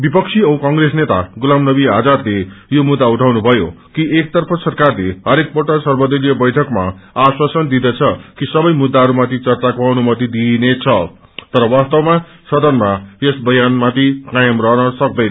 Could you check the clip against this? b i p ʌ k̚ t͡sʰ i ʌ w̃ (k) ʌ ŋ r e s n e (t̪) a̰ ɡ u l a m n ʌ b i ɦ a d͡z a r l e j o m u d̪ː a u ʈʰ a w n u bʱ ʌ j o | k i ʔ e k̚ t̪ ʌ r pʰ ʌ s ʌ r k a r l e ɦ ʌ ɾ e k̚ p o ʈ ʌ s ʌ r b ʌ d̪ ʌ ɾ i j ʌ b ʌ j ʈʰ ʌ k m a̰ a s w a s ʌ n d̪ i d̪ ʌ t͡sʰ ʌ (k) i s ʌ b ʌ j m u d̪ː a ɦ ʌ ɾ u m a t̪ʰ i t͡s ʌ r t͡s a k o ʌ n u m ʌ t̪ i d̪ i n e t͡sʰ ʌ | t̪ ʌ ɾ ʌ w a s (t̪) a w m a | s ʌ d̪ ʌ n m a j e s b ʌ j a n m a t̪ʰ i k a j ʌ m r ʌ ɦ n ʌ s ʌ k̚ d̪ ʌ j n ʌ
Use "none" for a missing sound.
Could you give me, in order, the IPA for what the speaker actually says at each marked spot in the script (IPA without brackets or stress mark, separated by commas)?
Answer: k, t̪, k, t̪